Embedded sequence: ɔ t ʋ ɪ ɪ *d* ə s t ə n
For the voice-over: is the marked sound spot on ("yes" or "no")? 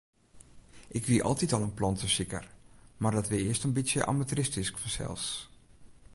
no